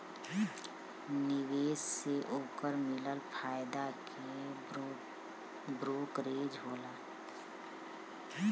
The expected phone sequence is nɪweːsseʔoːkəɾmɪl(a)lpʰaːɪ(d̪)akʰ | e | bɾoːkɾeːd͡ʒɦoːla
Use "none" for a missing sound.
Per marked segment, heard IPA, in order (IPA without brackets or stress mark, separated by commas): ə, d̪